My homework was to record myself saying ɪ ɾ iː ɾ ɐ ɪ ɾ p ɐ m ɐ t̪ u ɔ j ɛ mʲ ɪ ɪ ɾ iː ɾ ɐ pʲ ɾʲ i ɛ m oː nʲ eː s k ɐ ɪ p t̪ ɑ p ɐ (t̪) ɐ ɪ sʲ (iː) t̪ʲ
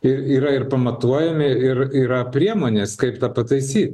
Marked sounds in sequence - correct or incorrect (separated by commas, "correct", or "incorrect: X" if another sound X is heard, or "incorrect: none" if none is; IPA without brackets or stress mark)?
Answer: correct, correct